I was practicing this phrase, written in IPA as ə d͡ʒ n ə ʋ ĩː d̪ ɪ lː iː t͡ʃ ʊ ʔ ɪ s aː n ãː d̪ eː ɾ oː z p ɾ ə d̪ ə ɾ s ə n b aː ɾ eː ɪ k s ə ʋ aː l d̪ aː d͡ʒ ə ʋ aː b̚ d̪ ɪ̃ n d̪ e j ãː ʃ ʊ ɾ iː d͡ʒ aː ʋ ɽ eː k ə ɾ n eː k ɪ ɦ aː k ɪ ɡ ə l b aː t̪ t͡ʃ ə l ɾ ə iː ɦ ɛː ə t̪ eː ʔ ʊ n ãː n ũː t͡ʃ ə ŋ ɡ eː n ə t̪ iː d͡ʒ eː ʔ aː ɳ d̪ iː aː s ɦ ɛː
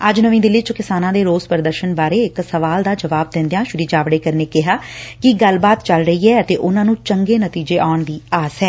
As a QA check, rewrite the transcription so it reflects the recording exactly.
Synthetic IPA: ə d͡ʒ n ə ʋ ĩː d̪ ɪ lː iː t͡ʃ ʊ k ɪ s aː n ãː d̪ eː ɾ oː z p ɾ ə d̪ ə ɾ ʃ ə n b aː ɾ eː ɪ k s ə ʋ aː l d̪ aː d͡ʒ ə ʋ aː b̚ d̪ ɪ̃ n d̪ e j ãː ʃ ʊ ɾ iː d͡ʒ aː ʋ ɽ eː k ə ɾ n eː k ɪ ɦ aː k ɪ ɡ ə l b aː t̪ t͡ʃ ə l ɾ ə iː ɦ ɛː ə t̪ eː ʔ ʊ n ãː n ũː t͡ʃ ə ŋ ɡ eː n ə t̪ iː d͡ʒ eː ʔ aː ɳ d̪ iː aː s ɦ ɛː

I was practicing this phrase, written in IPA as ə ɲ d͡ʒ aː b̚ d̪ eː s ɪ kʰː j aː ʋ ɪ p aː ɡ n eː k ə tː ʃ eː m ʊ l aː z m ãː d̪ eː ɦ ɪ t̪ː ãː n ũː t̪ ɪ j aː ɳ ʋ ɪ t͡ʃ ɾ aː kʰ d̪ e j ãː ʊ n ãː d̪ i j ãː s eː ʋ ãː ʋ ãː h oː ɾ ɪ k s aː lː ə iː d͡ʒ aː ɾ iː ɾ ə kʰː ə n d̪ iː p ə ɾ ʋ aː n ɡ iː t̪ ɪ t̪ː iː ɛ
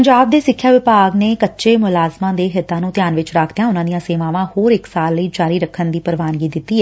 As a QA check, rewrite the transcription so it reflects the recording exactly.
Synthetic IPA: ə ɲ d͡ʒ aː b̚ d̪ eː s ɪ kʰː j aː ʋ ɪ p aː ɡ n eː k ə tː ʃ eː m ʊ l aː z m ãː d̪ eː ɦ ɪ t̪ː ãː n ũː t̪ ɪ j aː n ʋ ɪ t͡ʃ ɾ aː kʰ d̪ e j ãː ʊ n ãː d̪ i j ãː s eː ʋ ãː ʋ ãː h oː ɾ ɪ k s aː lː ə iː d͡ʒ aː ɾ iː ɾ ə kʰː ə n d̪ iː p ə ɾ ʋ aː n ɡ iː d̪ ɪ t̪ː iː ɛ

